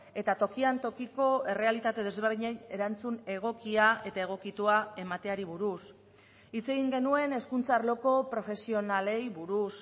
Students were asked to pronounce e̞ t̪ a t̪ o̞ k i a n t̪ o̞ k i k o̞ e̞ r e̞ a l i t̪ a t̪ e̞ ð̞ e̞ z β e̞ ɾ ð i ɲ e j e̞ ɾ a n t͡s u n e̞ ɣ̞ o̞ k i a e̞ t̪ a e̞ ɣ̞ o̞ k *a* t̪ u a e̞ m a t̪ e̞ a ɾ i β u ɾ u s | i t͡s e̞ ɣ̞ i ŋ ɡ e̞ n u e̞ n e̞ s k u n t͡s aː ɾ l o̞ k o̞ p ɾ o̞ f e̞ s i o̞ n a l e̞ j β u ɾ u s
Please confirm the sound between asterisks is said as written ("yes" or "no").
no